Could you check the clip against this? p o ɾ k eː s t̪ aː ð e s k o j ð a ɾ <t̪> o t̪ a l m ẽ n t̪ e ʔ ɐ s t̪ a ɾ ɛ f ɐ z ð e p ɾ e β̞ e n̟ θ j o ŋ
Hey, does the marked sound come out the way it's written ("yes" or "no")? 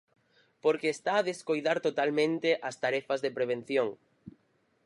yes